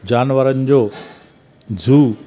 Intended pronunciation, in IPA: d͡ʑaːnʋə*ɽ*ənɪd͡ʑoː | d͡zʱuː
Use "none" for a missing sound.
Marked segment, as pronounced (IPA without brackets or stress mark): ɾ